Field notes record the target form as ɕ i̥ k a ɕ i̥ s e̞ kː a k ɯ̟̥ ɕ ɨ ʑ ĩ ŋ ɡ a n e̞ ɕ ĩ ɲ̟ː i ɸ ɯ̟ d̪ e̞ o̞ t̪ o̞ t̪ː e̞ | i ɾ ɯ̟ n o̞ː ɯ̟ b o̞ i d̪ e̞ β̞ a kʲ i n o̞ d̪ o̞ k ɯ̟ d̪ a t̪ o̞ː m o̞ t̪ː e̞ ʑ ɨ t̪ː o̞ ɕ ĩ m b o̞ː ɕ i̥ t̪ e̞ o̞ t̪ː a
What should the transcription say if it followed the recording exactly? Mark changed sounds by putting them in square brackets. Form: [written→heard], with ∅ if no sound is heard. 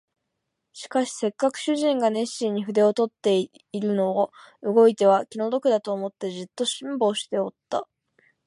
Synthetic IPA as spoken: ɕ i̥ k a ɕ i̥ s e̞ kː a k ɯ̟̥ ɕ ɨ ʑ ĩ ŋ ɡ a n e̞ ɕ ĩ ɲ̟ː i ɸ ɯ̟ d̪ e̞ o̞ t̪ o̞ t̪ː e̞ | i ɾ ɯ̟ n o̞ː ɯ̟ [b→ɡ] o̞ i [d̪→t̪] e̞ β̞ a kʲ i n o̞ d̪ o̞ k ɯ̟ d̪ a t̪ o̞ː m o̞ t̪ː e̞ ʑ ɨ t̪ː o̞ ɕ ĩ m b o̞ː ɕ i̥ t̪ e̞ o̞ t̪ː a